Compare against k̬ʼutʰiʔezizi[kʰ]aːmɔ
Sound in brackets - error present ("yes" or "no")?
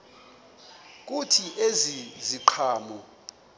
yes